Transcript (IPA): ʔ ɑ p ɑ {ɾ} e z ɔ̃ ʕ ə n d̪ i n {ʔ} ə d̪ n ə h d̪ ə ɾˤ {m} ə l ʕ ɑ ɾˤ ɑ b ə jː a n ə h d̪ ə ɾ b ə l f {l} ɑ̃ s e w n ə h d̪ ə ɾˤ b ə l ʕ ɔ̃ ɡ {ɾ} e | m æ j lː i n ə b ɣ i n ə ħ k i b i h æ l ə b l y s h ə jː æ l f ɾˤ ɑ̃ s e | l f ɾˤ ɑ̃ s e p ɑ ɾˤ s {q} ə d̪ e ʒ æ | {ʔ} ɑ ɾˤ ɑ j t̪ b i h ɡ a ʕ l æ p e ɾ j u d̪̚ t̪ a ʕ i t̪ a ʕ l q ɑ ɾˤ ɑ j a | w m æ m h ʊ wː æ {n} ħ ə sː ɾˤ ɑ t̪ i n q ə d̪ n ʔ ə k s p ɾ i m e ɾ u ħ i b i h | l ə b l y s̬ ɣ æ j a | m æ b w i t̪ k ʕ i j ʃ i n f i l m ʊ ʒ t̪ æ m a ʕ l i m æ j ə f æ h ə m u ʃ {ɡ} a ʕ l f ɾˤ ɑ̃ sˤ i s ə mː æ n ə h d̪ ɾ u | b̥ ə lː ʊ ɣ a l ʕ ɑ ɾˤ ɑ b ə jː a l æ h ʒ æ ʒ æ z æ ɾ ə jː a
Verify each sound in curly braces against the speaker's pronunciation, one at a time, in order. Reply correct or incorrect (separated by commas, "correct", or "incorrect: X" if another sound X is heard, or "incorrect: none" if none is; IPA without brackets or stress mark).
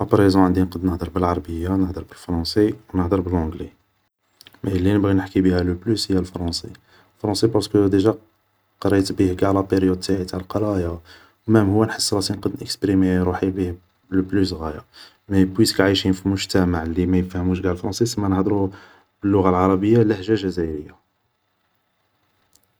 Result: correct, incorrect: q, incorrect: b, incorrect: ɾ, incorrect: l, incorrect: k, incorrect: q, correct, correct